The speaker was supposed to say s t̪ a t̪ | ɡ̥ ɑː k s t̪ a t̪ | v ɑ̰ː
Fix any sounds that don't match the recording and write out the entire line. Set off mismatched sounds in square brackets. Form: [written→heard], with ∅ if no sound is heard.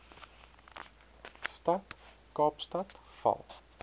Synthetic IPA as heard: s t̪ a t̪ | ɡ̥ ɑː [k→p] s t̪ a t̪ | [v→f] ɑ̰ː